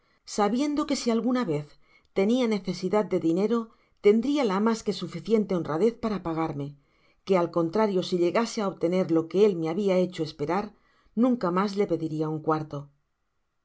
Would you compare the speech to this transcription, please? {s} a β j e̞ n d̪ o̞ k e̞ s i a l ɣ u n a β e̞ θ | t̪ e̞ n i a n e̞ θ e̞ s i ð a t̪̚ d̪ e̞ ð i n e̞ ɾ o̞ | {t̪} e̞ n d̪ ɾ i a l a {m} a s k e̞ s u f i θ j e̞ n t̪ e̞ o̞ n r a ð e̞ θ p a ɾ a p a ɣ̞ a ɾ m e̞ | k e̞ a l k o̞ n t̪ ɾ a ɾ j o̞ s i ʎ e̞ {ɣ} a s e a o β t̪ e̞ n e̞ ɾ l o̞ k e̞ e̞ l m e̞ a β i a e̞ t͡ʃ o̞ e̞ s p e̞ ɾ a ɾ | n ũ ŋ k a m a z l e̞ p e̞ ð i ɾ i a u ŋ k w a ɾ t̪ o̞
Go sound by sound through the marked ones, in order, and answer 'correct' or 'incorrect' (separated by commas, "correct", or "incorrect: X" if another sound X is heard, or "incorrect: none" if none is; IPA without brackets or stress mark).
correct, correct, correct, correct